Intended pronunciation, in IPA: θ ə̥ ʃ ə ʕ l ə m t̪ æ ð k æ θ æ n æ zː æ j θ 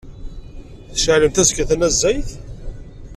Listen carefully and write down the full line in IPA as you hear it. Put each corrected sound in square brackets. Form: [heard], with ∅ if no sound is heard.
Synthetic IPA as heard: θ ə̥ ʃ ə ʕ l ə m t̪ æ [z] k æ θ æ n æ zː æ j θ